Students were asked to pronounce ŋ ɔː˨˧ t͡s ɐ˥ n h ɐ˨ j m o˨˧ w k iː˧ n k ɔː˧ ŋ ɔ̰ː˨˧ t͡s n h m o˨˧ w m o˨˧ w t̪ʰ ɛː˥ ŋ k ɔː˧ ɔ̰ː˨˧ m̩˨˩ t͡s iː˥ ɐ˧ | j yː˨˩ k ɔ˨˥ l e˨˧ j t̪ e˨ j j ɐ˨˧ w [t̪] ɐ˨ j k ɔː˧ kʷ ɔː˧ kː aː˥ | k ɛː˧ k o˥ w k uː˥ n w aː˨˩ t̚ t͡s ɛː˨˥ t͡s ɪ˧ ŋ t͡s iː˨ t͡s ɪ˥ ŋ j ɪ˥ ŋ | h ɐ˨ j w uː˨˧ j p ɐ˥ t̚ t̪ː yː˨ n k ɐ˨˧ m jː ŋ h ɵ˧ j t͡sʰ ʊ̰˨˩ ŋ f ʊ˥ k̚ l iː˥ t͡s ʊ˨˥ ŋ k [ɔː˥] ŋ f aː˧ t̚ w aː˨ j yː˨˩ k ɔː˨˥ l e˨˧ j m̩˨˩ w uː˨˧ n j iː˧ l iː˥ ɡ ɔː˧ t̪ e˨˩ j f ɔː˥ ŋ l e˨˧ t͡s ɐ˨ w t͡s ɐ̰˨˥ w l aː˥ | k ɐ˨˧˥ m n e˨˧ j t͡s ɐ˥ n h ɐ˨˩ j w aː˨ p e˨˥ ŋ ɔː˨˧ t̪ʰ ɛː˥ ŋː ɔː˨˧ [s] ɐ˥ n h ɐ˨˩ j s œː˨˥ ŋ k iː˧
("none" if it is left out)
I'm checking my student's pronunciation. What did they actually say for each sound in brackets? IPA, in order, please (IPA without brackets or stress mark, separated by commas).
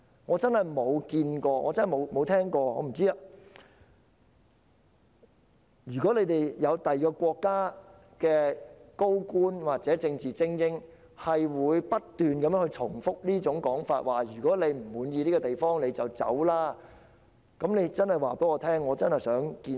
t̪, ɔː˨˥, t͡s